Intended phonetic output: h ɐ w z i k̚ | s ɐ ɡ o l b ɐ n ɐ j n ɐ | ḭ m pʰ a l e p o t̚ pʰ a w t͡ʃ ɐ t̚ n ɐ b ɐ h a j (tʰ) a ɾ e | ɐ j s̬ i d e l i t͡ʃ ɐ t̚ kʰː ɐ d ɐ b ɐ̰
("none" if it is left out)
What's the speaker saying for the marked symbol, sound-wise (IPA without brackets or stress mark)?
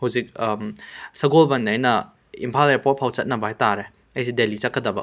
t